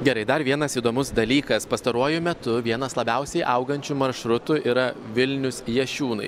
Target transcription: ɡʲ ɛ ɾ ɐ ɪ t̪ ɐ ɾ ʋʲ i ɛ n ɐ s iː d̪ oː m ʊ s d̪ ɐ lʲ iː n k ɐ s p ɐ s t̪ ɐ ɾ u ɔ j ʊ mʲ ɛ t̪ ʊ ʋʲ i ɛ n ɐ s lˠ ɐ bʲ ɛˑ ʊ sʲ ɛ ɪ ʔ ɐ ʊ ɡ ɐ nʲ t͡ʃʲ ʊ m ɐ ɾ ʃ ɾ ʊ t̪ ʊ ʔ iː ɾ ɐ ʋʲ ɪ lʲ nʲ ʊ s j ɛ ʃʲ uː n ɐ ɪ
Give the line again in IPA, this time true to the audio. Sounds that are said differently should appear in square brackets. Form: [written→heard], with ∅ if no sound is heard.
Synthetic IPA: ɡʲ ɛ ɾ ɐ ɪ [t̪→d̪] ɐ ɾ ʋʲ i ɛ n ɐ s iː d̪ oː m ʊ s d̪ ɐ lʲ iː [n→∅] k ɐ s p ɐ s t̪ ɐ ɾ u ɔ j ʊ mʲ ɛ t̪ ʊ ʋʲ i ɛ n ɐ s lˠ ɐ bʲ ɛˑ ʊ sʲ ɛ ɪ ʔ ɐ ʊ ɡ ɐ nʲ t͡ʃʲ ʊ m ɐ ɾ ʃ ɾ ʊ t̪ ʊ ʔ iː ɾ ɐ ʋʲ ɪ lʲ nʲ ʊ s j ɛ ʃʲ uː n ɐ ɪ

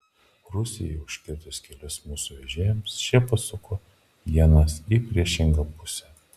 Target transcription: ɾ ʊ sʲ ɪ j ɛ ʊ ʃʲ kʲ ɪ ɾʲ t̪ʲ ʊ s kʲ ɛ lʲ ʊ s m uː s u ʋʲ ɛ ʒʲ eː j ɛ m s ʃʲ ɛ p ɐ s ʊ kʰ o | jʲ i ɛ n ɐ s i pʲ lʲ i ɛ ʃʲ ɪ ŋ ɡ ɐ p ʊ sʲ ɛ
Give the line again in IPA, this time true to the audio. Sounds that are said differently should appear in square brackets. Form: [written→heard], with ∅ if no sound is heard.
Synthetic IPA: ɾ ʊ sʲ ɪ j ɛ ʊ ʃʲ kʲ ɪ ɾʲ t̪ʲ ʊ s kʲ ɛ lʲ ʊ s m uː s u ʋʲ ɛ ʒʲ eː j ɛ m s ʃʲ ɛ p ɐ s ʊ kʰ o | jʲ i ɛ n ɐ s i pʲ [lʲ→ɾʲ] i ɛ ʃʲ ɪ ŋ ɡ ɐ p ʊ sʲ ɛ

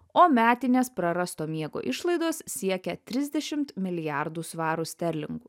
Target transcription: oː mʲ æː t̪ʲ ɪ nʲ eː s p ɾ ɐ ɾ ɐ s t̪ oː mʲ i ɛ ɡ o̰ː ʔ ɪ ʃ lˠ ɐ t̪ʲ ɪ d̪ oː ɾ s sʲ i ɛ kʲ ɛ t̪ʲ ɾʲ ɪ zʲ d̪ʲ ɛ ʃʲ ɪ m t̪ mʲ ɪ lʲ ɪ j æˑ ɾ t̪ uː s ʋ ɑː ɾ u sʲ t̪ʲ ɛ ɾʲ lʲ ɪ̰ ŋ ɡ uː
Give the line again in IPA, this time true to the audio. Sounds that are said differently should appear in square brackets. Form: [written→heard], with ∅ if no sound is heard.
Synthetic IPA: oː mʲ æː t̪ʲ ɪ nʲ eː s p ɾ ɐ ɾ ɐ s t̪ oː mʲ i ɛ ɡ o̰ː ʔ ɪ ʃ lˠ ɐ [t̪ʲ→∅] ɪ d̪ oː [ɾ→∅] s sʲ i ɛ kʲ ɛ t̪ʲ ɾʲ ɪ zʲ d̪ʲ ɛ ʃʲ ɪ m t̪ mʲ ɪ lʲ ɪ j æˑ ɾ [t̪→d̪] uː s ʋ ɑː ɾ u sʲ t̪ʲ ɛ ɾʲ lʲ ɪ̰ ŋ ɡ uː

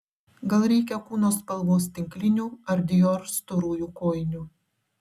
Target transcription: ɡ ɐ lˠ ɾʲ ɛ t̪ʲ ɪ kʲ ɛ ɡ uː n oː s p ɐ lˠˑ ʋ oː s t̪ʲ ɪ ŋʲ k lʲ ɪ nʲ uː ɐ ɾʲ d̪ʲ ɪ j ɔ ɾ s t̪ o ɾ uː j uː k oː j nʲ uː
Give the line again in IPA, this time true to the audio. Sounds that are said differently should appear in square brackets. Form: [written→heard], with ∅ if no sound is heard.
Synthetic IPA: ɡ ɐ lˠ ɾʲ ɛ [t̪ʲ→∅] ɪ kʲ ɛ [ɡ→k] uː n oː s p ɐ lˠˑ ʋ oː s t̪ʲ ɪ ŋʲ k lʲ ɪ nʲ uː ɐ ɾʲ d̪ʲ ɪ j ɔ ɾ s t̪ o ɾ uː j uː k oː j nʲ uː

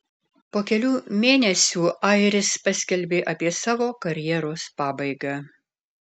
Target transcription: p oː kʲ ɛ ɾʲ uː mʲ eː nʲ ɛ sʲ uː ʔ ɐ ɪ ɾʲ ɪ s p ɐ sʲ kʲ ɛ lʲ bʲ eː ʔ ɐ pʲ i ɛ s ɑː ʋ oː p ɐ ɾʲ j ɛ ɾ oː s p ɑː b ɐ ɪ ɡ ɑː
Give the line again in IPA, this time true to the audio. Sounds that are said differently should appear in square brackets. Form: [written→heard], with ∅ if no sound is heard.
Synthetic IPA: p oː kʲ ɛ [ɾʲ→lʲ] uː mʲ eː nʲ ɛ sʲ uː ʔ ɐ ɪ ɾʲ ɪ s p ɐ sʲ kʲ ɛ lʲ bʲ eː ʔ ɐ pʲ i ɛ s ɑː ʋ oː [p→k] ɐ ɾʲ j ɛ ɾ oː s p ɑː b ɐ ɪ ɡ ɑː

